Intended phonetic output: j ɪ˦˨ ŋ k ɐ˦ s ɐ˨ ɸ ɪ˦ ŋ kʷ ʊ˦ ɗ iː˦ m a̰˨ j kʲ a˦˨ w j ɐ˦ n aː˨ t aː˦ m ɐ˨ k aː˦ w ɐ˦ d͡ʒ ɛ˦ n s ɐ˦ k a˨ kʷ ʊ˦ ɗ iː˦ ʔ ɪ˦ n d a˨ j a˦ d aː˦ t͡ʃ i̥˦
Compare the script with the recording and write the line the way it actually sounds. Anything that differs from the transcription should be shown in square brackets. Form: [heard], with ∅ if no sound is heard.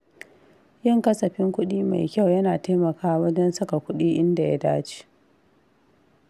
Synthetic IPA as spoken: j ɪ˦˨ ŋ k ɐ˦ s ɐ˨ ɸ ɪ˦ ŋ kʷ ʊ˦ ɗ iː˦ m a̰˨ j kʲ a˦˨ w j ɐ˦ n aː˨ t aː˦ m ɐ˨ k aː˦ w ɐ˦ d͡ʒ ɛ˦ n s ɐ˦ k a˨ kʷ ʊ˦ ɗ iː˦ ʔ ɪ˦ n d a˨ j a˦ d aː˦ t͡ʃ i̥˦